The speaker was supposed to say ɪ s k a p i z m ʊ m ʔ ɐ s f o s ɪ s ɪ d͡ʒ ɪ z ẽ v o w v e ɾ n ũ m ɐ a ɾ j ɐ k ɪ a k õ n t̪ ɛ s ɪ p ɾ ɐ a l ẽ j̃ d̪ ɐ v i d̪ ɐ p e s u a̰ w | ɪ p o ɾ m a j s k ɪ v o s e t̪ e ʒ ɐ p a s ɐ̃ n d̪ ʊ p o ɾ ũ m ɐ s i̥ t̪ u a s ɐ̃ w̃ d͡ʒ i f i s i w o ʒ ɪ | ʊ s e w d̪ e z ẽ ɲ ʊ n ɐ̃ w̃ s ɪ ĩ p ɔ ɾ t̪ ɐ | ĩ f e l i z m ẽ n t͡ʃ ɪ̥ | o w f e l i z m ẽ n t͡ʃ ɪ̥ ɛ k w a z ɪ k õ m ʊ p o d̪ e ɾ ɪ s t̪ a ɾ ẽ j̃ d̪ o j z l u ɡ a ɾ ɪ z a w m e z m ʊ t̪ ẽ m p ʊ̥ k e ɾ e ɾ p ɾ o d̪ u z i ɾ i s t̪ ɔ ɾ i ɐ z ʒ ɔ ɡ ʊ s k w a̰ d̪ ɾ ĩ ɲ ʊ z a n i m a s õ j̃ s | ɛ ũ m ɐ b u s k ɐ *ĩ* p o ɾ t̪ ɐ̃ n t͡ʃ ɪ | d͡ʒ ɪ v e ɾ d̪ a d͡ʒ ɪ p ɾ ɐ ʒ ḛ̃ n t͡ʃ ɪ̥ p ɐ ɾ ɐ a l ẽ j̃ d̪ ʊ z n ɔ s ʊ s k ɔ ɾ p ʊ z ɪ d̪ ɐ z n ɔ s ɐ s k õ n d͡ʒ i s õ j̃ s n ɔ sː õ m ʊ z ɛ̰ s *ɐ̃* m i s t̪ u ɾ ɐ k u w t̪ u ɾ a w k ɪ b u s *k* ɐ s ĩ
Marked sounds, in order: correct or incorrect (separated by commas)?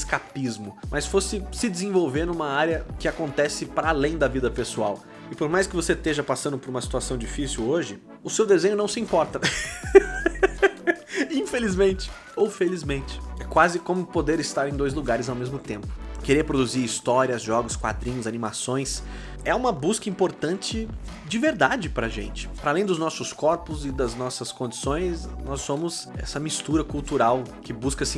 correct, incorrect, correct